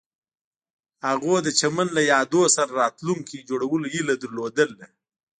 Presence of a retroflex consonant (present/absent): present